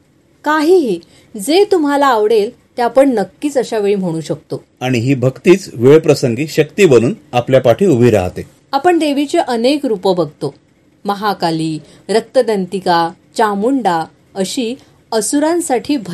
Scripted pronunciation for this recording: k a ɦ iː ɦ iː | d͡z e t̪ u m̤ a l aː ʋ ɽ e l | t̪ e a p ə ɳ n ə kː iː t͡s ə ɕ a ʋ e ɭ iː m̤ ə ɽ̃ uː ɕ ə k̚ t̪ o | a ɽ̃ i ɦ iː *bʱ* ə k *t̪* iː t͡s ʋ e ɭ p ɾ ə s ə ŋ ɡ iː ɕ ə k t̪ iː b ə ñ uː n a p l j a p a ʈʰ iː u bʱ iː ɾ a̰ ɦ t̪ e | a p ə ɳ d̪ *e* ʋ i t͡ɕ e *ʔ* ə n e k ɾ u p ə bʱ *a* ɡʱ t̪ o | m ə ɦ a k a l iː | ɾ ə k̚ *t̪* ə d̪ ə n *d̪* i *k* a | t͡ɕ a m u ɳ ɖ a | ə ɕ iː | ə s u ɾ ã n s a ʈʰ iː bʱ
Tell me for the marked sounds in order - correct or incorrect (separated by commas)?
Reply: correct, correct, correct, correct, incorrect, correct, incorrect, correct